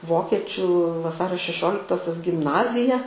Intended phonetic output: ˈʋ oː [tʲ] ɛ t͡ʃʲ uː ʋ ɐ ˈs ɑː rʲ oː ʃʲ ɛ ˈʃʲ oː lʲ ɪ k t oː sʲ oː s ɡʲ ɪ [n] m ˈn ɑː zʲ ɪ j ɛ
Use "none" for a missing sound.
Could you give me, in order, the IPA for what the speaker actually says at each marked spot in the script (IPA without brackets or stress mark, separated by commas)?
kʲ, none